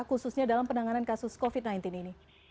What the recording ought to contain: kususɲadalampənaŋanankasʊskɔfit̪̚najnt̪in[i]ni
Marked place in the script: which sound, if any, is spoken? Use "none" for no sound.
i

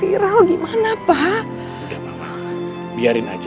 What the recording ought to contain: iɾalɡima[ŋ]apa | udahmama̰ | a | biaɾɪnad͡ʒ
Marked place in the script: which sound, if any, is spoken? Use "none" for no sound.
n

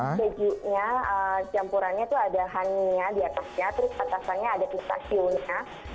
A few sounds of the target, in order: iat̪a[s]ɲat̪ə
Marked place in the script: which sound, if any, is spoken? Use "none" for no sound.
s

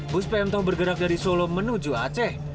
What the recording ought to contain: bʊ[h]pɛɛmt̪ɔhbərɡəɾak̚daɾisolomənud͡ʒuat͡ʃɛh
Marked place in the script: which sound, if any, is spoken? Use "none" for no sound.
s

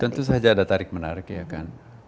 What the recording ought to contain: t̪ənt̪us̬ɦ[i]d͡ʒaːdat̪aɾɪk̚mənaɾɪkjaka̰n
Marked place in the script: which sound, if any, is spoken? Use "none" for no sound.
a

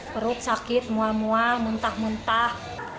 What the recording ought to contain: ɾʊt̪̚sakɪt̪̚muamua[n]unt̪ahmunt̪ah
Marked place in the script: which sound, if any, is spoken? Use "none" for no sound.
m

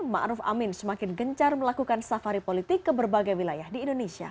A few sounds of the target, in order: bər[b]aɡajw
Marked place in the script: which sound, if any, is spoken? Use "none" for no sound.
b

